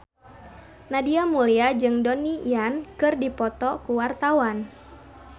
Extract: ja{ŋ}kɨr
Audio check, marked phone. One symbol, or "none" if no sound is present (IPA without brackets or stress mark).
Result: n